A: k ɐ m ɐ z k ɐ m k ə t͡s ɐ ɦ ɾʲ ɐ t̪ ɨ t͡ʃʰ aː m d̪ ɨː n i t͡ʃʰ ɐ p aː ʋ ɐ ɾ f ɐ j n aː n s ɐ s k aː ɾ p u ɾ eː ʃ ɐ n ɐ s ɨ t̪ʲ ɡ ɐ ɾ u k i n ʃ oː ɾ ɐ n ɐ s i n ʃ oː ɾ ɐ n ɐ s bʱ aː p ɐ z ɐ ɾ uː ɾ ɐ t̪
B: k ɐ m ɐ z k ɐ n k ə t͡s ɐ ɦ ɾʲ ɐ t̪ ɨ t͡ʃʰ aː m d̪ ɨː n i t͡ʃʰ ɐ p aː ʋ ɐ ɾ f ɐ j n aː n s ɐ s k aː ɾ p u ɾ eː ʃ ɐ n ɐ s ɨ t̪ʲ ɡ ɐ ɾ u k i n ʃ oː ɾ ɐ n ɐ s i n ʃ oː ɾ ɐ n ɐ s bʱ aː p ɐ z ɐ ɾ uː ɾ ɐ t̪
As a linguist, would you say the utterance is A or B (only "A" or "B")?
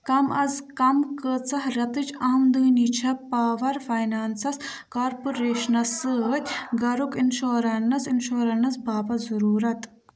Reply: A